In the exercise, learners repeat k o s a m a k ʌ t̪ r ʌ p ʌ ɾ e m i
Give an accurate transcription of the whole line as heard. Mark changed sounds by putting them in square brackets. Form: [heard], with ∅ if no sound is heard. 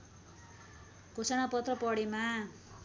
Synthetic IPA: k o s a [n] a [p] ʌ t̪ r ʌ p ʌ [ɽ] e m [a]